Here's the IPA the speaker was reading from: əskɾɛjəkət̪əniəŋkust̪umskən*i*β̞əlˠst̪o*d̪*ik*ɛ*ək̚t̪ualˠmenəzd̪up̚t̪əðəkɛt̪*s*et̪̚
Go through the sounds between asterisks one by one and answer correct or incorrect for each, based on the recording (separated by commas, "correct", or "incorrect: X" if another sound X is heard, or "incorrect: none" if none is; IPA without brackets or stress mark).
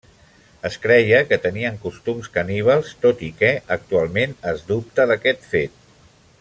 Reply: correct, incorrect: t̪, correct, incorrect: f